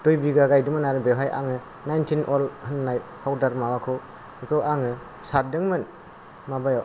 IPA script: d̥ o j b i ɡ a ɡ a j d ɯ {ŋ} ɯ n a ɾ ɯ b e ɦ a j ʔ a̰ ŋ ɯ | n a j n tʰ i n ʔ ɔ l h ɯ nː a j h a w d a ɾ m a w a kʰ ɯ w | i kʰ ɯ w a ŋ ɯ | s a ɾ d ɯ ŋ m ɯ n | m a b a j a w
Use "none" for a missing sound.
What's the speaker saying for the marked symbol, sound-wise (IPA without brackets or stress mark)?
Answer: m